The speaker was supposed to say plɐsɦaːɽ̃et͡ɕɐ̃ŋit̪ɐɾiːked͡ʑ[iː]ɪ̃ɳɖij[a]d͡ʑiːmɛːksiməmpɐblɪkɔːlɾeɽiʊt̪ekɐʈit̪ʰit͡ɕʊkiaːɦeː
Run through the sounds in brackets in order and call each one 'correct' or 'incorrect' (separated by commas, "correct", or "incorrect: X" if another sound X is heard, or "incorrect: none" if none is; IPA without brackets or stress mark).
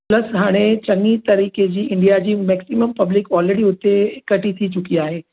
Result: correct, correct